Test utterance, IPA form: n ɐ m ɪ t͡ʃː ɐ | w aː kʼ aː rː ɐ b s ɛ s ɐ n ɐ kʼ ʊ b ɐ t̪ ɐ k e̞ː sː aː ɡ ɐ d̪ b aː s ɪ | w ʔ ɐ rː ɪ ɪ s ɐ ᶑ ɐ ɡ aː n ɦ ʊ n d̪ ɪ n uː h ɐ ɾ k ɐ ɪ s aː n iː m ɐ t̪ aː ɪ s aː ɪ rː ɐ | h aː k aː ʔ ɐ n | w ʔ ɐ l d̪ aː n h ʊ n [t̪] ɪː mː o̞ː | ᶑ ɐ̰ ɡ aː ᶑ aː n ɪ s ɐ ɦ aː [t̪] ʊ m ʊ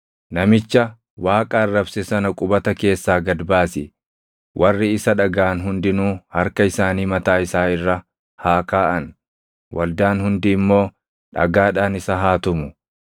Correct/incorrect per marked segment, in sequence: incorrect: d̪, correct

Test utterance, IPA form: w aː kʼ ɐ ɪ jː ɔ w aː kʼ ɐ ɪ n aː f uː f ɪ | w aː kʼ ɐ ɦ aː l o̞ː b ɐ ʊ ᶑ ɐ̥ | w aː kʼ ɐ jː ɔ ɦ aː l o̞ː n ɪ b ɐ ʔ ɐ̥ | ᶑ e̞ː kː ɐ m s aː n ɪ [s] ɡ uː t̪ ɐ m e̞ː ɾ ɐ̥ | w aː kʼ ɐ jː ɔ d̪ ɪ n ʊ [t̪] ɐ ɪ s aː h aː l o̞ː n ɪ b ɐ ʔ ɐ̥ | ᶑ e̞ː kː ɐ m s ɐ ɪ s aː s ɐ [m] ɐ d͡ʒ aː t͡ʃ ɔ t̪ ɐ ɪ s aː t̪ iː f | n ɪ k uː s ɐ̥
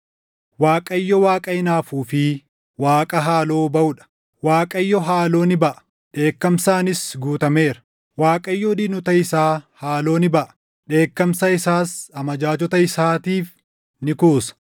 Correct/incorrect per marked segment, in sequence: correct, correct, correct

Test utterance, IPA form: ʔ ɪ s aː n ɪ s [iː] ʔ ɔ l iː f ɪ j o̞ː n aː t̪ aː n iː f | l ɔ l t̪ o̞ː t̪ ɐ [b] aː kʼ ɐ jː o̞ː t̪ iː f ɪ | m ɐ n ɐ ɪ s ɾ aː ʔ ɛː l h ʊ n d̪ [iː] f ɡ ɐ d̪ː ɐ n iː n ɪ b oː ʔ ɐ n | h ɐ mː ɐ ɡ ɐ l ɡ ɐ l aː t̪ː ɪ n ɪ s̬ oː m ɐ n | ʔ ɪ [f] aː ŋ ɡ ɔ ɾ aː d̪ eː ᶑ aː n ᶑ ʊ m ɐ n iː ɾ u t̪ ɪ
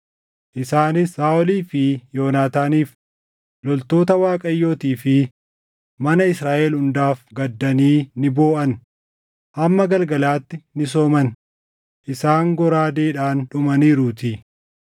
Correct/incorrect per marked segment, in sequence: incorrect: aː, incorrect: w, incorrect: aː, incorrect: s

